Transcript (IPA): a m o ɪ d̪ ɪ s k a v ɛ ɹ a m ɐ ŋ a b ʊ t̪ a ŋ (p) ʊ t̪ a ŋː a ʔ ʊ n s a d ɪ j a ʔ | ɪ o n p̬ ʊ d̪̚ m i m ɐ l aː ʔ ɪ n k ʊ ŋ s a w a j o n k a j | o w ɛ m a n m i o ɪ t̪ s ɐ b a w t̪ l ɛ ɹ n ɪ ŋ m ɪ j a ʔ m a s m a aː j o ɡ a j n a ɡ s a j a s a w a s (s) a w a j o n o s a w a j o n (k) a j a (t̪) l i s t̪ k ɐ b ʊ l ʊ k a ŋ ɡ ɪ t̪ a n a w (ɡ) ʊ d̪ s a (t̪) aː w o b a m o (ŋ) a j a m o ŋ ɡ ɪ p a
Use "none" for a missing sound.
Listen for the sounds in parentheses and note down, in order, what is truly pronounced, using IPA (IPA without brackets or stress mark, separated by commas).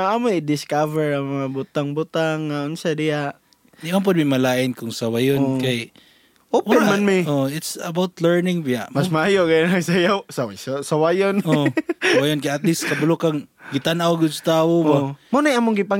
b, s, k, t̪, ɡ, t̪, n